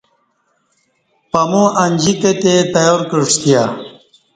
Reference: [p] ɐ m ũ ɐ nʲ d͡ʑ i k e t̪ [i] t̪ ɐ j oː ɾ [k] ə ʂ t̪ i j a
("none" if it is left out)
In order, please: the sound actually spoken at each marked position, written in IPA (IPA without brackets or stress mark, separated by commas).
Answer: p, e, k